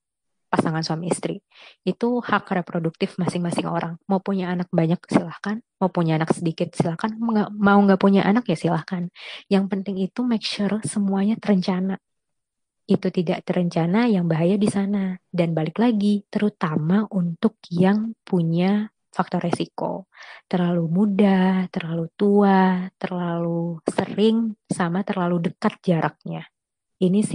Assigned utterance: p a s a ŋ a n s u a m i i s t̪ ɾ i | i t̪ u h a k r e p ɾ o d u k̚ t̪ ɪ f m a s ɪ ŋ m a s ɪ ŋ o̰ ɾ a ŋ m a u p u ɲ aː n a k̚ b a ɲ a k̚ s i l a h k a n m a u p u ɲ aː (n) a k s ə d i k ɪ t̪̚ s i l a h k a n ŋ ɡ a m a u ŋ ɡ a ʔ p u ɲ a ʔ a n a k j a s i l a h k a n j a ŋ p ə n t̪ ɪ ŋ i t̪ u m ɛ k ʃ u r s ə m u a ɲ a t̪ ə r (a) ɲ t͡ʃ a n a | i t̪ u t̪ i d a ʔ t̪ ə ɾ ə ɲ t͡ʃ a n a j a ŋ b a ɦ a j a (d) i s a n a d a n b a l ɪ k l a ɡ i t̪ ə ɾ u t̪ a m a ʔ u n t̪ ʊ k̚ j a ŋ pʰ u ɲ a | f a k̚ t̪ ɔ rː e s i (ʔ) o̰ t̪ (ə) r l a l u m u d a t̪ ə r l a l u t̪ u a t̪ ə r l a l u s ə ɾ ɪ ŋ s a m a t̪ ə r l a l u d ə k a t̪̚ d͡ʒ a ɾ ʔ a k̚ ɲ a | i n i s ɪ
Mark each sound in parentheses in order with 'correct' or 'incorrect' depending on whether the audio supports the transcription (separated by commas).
correct, incorrect, correct, incorrect, correct